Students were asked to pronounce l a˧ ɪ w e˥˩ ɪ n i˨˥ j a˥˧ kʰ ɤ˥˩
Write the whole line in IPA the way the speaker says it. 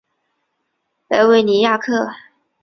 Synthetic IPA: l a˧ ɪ w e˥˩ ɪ n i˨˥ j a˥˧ kʰ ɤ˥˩